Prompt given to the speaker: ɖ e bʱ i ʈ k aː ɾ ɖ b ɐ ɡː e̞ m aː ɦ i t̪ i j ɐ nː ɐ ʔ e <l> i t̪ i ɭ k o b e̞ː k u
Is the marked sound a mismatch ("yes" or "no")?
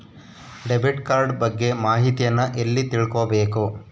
yes